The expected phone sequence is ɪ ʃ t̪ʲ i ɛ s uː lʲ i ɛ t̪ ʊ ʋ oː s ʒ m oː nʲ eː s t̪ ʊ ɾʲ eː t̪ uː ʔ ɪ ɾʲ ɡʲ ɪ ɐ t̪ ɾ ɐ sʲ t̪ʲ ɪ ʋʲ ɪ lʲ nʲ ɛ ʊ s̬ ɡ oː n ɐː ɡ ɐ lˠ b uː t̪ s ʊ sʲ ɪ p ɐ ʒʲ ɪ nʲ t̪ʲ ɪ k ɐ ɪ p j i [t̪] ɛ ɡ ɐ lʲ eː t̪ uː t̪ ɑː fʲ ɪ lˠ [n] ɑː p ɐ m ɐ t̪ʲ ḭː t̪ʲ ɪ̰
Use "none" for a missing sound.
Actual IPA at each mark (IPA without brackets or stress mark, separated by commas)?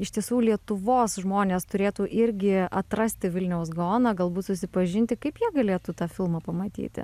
none, m